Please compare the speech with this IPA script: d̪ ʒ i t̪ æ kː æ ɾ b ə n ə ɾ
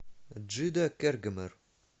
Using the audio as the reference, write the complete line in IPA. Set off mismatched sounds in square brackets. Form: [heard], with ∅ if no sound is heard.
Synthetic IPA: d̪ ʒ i [d̪] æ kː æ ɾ [ɡ] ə [m] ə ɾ